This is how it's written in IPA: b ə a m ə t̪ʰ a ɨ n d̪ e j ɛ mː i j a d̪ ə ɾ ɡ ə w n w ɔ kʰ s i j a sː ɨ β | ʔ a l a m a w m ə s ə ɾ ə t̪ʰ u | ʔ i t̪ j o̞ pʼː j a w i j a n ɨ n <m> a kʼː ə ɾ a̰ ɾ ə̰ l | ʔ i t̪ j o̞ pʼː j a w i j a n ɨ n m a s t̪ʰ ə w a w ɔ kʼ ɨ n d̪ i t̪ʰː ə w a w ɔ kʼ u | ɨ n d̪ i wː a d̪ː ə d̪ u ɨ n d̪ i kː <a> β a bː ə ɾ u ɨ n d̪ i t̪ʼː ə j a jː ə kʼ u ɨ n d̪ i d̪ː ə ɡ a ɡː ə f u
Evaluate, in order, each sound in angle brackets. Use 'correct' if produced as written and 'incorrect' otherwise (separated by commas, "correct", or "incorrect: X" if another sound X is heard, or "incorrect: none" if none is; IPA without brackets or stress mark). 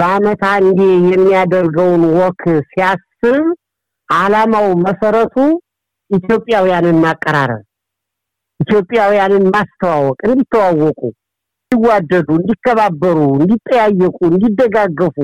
correct, incorrect: ə